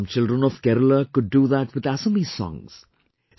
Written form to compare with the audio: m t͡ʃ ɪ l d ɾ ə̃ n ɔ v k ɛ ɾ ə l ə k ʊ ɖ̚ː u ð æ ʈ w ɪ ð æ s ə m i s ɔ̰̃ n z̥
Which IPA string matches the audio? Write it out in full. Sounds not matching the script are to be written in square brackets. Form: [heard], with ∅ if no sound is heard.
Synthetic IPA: m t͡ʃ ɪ l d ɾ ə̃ n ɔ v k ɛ ɾ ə l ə k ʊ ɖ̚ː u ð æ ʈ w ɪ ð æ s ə m i s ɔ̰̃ [ŋ] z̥

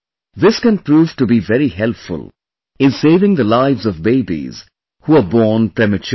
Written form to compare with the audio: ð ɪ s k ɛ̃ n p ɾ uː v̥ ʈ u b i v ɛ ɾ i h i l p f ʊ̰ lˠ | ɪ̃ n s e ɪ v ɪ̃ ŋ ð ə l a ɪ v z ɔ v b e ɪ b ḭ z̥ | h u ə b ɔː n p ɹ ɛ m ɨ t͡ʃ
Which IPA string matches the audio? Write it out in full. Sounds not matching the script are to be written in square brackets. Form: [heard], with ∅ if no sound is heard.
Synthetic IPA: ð ɪ s k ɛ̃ n p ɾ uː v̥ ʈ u b i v ɛ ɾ i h [ɛ] l p f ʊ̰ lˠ | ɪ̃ n s e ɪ v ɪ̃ ŋ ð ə l a ɪ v z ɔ v b e ɪ b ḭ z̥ | h u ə b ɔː n p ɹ ɛ m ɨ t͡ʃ

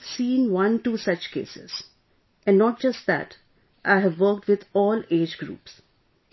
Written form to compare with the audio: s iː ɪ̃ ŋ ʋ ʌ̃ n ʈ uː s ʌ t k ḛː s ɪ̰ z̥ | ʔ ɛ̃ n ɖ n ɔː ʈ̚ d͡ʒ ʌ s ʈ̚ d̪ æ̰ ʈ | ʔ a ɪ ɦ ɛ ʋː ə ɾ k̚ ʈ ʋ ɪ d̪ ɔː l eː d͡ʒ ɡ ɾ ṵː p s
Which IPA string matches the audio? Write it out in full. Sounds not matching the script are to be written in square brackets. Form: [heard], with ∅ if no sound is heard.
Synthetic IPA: s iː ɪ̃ ŋ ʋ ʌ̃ n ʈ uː s ʌ [t͡ʃ] k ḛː s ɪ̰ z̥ | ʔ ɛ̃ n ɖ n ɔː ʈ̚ d͡ʒ ʌ s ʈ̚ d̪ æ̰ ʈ | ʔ a ɪ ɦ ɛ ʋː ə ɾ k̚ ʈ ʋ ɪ d̪ ɔː l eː d͡ʒ ɡ ɾ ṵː p s

